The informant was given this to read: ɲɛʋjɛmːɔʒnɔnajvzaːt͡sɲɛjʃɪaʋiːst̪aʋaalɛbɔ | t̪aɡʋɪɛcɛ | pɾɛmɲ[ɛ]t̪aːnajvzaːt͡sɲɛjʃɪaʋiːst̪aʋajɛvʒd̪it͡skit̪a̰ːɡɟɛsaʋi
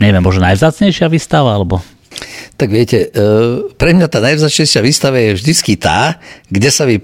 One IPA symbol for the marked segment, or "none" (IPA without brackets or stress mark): a